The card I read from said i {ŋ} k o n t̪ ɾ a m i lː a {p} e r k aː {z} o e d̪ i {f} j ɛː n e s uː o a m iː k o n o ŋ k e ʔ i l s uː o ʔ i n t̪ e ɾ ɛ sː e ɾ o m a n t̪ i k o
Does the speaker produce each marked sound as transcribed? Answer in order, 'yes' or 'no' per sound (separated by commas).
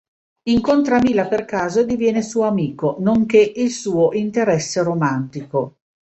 yes, yes, yes, no